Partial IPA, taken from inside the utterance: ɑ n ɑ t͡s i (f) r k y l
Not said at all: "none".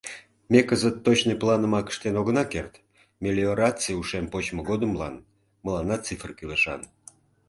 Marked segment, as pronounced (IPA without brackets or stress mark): f